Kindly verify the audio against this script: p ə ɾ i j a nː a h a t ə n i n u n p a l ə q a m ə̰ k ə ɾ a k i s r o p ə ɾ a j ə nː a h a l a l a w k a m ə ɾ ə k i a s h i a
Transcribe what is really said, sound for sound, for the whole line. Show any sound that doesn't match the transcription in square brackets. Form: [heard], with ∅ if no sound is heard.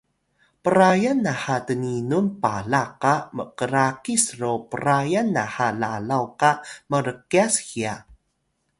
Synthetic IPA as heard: p ə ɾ [a] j a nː a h a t ə n i n u n p a l [a] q a m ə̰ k ə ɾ a k i s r o p ə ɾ a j [a] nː a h a l a l a w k a m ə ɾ ə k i a s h i a